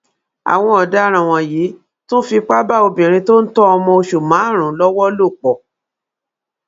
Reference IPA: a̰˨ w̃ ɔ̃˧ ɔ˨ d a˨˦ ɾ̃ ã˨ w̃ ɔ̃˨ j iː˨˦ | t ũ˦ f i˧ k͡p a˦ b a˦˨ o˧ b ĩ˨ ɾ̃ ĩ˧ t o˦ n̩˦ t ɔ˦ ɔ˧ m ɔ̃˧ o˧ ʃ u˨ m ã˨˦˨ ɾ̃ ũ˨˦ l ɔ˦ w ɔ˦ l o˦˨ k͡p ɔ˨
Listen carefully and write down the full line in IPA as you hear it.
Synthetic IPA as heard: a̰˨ w̃ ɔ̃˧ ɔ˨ d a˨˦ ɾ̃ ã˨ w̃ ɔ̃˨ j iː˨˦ | t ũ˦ f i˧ k͡p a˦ b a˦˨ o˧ b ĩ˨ ɾ̃ ĩ˧ t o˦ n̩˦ t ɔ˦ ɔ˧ m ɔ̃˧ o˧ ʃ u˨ m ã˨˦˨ ɾ̃ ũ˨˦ l ɔ˦ w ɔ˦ l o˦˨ k͡p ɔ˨

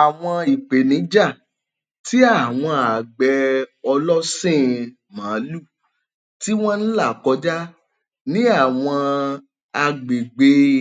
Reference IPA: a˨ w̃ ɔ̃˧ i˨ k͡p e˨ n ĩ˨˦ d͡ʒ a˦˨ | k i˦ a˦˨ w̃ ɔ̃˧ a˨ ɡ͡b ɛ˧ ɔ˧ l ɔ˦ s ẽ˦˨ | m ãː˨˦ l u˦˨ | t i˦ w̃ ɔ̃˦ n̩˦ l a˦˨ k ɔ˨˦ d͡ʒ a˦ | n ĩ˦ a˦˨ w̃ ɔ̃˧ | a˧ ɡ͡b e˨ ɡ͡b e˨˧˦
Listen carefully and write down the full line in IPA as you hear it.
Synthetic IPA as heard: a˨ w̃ ɔ̃˧ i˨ k͡p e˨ n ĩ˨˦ d͡ʒ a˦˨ | t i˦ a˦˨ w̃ ɔ̃˧ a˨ ɡ͡b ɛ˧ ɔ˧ l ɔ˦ s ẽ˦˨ | m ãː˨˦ l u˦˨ | t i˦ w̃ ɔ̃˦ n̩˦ l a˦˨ k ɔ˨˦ d͡ʒ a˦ | n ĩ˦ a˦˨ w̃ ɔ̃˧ | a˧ ɡ͡b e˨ ɡ͡b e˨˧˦

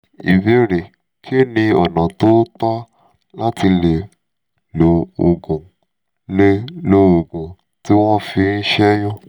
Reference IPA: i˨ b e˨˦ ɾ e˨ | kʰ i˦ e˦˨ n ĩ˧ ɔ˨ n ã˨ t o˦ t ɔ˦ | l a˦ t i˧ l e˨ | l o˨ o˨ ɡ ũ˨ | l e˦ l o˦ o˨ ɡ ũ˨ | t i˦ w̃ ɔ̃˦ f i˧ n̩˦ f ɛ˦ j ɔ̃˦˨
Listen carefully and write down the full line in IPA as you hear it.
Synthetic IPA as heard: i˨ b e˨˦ ɾ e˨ | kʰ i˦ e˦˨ n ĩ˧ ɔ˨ n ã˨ t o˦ t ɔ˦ | l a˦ t i˧ l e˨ | l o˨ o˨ ɡ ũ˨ | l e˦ l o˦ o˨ ɡ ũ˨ | t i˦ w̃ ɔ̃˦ f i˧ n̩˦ ʃ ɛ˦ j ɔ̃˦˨

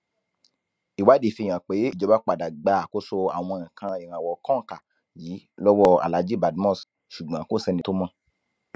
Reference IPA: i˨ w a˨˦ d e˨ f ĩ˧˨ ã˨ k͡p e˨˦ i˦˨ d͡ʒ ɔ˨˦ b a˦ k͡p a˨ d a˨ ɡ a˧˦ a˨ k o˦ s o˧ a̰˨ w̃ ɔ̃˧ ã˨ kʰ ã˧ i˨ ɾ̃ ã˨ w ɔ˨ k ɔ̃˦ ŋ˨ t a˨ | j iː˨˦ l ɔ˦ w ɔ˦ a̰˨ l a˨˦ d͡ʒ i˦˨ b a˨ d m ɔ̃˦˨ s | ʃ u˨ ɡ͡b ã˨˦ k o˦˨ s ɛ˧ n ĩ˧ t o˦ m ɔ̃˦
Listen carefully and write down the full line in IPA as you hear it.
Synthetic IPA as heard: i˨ w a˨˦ d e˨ f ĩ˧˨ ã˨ k͡p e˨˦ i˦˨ d͡ʒ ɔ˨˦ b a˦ k͡p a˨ d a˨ ɡ͡b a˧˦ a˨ k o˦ s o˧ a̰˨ w̃ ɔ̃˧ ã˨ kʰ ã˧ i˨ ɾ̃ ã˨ w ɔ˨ k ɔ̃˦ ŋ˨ k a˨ | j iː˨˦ l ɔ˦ w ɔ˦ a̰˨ l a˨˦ d͡ʒ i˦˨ b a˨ d m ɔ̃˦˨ s | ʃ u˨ ɡ͡b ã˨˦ k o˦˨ s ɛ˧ n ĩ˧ t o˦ m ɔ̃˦

